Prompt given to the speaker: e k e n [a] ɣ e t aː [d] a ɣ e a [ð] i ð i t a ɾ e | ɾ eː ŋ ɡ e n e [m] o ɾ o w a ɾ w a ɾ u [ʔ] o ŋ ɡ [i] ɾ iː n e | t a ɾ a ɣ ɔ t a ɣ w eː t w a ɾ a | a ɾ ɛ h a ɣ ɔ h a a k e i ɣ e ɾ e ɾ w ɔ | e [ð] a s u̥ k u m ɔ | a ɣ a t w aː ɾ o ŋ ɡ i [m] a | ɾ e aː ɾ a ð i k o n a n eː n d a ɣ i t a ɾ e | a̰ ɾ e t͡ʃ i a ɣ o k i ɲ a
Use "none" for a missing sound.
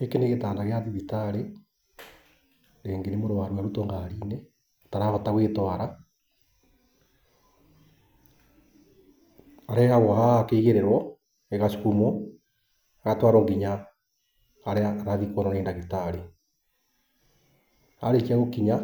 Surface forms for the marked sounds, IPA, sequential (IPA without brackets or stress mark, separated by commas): e, n, ð, m, t, a, ɣ, ɲ